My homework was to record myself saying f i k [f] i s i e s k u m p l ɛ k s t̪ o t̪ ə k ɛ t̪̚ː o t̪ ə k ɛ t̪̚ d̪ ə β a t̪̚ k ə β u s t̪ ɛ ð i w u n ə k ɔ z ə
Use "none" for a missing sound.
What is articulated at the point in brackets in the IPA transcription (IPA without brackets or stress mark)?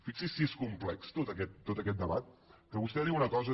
s